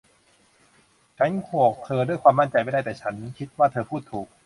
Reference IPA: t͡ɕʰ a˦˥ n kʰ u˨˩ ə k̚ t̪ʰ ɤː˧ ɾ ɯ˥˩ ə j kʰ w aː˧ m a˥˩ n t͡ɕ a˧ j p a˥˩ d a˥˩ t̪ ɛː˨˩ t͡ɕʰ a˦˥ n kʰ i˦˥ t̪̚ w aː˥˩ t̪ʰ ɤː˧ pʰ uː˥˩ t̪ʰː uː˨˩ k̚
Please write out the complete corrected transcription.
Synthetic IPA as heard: t͡ɕʰ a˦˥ n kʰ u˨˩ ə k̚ t̪ʰ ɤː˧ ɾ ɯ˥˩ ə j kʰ w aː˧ m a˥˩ n t͡ɕ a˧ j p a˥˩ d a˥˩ t̪ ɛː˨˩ t͡ɕʰ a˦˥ n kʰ i˦˥ t̪̚ w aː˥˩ t̪ʰ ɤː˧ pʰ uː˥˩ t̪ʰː uː˨˩ k̚